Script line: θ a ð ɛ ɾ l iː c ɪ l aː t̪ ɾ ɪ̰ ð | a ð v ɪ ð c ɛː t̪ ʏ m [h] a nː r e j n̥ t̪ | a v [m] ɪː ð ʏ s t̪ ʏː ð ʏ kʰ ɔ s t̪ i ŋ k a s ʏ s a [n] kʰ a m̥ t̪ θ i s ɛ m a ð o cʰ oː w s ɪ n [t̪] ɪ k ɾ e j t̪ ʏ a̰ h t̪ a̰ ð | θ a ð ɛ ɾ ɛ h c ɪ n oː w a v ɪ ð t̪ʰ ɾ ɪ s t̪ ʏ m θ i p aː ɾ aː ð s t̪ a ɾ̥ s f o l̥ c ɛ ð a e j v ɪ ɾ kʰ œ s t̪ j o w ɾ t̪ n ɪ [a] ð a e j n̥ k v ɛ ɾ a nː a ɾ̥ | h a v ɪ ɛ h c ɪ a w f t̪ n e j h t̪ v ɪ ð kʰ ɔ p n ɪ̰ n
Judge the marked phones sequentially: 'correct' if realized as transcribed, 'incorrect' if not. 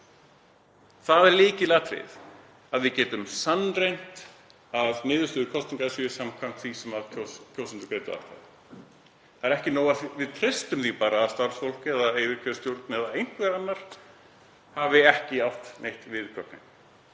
incorrect, incorrect, incorrect, correct, incorrect

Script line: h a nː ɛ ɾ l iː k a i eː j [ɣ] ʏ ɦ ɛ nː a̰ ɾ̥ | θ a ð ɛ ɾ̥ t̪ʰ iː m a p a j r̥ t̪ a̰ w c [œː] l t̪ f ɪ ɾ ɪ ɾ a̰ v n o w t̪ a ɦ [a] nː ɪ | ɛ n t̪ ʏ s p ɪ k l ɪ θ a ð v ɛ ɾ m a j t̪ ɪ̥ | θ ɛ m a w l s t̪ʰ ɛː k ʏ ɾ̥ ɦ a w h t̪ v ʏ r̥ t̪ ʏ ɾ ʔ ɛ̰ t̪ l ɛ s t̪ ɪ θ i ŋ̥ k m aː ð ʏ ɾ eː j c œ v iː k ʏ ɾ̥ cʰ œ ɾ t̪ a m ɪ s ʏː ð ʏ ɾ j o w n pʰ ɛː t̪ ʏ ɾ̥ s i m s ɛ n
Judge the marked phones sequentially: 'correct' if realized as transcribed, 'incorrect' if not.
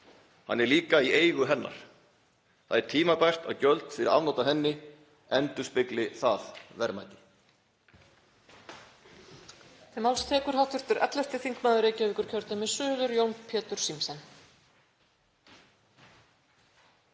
correct, incorrect, incorrect

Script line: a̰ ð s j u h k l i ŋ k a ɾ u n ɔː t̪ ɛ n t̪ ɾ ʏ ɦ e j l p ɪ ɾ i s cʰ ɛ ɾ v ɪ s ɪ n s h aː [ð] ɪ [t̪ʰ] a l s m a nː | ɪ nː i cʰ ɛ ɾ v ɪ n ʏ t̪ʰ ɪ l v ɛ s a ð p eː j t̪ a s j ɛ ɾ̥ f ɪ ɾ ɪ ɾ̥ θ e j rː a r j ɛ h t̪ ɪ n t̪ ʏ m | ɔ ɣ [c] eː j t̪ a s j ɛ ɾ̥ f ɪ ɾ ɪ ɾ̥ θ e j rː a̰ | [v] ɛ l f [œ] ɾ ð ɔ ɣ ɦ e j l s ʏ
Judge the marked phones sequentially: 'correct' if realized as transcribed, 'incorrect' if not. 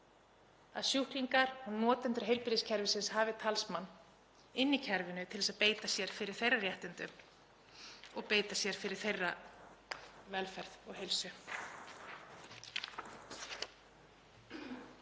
incorrect, correct, incorrect, correct, incorrect

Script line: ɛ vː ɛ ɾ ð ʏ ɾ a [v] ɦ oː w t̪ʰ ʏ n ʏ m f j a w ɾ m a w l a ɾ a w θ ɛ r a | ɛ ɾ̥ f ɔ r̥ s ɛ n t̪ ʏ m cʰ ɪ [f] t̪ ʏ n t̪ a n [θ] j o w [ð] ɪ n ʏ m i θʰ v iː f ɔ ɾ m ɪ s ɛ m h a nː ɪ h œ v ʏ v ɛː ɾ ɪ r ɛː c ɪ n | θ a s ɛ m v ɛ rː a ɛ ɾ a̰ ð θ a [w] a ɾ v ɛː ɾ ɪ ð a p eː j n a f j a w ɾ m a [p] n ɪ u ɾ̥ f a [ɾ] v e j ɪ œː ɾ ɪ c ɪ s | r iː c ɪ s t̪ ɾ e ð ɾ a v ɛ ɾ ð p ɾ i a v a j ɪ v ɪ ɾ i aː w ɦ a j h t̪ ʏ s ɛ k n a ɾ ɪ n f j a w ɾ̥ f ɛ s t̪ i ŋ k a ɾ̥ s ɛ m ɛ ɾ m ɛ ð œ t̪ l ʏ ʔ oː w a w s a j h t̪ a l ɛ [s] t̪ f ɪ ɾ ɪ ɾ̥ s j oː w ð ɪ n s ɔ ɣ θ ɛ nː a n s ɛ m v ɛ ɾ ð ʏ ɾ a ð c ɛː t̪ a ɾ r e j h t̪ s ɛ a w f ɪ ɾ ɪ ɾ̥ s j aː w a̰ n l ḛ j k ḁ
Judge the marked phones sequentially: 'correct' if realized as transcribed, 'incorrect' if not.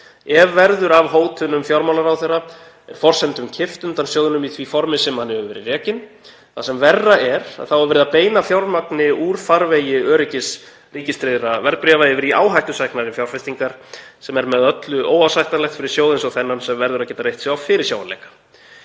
correct, correct, incorrect, correct, correct, incorrect, correct, incorrect

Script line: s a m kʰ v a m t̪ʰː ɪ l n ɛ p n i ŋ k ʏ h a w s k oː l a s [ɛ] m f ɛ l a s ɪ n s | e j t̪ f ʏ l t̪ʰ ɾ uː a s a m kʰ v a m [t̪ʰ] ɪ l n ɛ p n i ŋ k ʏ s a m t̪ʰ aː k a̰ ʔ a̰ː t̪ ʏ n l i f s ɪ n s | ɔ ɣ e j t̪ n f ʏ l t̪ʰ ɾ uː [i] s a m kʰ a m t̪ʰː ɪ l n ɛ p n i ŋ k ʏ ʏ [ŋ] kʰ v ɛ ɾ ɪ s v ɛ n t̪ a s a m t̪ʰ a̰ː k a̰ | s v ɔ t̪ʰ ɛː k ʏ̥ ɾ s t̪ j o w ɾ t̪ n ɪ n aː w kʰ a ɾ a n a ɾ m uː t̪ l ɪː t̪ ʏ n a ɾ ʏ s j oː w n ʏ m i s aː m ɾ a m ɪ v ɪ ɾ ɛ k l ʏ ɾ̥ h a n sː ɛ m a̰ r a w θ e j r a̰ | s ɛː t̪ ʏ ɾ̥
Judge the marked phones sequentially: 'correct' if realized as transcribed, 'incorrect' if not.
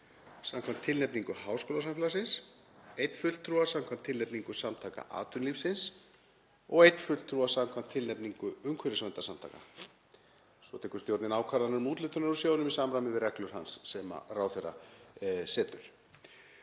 incorrect, correct, incorrect, correct

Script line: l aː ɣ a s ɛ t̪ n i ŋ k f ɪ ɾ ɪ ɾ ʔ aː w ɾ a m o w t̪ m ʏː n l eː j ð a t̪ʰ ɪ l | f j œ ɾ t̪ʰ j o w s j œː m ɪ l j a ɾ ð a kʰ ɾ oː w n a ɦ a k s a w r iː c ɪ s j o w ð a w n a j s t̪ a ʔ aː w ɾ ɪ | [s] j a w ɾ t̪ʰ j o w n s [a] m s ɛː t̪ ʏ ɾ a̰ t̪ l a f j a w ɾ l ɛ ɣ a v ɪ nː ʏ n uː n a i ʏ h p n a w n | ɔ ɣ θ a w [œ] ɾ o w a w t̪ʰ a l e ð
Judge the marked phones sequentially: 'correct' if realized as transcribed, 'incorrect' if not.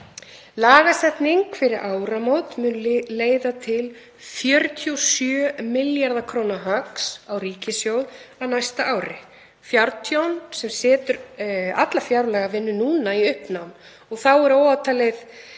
incorrect, incorrect, incorrect

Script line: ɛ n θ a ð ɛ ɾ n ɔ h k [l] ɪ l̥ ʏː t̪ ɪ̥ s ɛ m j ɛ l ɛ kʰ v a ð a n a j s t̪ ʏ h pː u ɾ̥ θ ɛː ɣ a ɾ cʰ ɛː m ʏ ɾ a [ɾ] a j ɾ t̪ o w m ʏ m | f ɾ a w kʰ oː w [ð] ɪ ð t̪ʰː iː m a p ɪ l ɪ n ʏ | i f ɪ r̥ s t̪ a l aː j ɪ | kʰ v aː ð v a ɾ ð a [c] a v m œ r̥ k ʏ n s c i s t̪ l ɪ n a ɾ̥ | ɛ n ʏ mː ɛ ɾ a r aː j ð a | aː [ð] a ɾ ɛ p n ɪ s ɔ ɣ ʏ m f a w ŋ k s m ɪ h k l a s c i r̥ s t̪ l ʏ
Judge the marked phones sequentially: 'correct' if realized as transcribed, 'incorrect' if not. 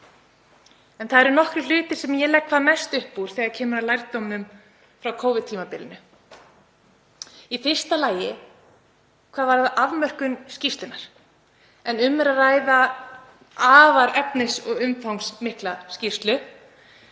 incorrect, incorrect, incorrect, incorrect, incorrect

